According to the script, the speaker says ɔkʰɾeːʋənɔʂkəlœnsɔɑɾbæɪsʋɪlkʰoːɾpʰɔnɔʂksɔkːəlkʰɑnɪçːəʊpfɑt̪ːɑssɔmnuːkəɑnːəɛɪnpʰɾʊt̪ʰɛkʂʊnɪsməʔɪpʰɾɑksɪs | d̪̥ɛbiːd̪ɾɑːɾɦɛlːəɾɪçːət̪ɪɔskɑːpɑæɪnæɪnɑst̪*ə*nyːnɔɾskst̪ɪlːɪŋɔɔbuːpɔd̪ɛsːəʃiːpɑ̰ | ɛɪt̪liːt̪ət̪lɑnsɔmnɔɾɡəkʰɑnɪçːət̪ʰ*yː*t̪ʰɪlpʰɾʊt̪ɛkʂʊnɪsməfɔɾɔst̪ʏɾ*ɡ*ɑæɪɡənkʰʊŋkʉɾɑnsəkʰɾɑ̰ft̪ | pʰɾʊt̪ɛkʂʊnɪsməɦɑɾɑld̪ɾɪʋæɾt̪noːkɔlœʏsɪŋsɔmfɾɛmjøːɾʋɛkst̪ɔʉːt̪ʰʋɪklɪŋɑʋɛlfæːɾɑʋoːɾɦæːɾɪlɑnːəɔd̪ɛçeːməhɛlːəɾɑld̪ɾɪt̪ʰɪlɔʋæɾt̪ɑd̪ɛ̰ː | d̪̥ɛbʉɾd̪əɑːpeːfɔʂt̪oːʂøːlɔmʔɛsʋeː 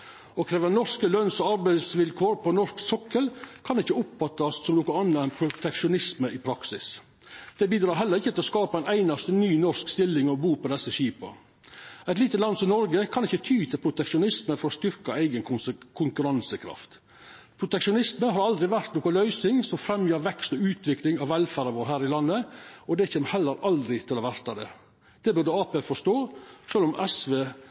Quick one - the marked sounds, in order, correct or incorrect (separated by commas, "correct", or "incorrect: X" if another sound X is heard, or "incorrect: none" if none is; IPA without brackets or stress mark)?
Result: correct, correct, incorrect: k